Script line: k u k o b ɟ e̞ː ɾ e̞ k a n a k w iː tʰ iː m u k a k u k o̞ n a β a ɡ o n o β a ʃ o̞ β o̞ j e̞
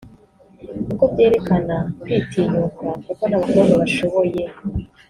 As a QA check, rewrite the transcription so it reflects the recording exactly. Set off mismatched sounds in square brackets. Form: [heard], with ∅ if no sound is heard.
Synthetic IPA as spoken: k u k o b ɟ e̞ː ɾ e̞ k a n a k w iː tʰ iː [ɲ] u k a k u k o̞ n a β a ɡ o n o β a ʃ o̞ β o̞ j e̞